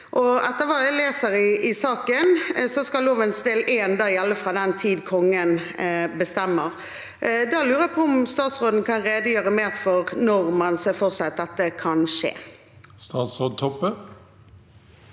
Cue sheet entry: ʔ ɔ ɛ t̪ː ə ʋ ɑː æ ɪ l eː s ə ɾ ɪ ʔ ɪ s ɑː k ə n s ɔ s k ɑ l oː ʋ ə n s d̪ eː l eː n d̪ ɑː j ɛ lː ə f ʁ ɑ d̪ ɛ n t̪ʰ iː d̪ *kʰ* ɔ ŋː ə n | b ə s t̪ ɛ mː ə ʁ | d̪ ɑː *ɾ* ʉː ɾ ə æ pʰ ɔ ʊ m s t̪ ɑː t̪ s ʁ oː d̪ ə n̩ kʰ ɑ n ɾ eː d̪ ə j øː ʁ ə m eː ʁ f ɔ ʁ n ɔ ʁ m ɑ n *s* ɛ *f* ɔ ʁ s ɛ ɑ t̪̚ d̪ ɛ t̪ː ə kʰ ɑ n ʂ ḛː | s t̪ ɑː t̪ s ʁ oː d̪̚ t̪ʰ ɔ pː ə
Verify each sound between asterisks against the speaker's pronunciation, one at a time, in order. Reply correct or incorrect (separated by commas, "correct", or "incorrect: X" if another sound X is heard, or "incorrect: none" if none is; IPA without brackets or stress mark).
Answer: correct, incorrect: l, correct, correct